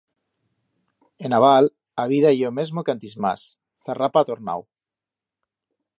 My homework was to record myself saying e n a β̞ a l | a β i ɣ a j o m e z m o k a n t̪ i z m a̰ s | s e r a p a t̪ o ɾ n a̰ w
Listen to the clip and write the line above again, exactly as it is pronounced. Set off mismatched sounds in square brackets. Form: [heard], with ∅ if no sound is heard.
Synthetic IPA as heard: e n a β̞ a l | a β i [ð] a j o m e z m o k a n t̪ i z m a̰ s | [θ] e r a p a t̪ o ɾ n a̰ w